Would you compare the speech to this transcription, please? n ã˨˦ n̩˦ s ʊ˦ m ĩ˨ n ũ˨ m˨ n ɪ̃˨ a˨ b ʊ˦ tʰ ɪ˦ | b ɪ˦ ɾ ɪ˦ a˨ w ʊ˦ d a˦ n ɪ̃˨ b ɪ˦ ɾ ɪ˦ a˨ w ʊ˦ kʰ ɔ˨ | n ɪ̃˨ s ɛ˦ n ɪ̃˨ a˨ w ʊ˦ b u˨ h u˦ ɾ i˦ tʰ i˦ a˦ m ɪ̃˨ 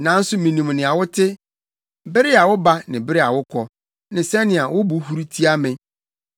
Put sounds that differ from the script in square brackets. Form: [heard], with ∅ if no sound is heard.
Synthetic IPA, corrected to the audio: n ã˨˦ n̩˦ s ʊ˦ m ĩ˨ n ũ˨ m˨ n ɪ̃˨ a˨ [w] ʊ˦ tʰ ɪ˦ | b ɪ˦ ɾ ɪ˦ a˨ w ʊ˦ [b] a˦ n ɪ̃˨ b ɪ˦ ɾ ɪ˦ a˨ w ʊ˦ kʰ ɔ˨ | n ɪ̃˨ s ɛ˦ n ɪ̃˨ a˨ w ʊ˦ b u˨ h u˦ ɾ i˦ tʰ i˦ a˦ m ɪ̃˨